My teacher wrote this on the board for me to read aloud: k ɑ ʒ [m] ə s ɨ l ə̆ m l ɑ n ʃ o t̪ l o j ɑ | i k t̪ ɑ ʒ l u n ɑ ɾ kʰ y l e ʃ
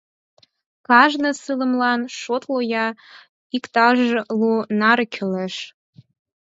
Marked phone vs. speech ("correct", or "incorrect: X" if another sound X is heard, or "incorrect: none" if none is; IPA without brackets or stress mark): incorrect: n